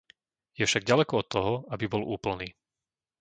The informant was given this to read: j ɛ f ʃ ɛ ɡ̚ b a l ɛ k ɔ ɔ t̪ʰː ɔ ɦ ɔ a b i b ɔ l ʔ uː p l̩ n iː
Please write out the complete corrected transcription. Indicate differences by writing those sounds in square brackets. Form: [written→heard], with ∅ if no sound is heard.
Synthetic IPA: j ɛ f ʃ [ɛ→a] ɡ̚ [b→ɟ] a l ɛ k ɔ ɔ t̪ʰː ɔ ɦ ɔ a b i b ɔ l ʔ uː p l̩ n iː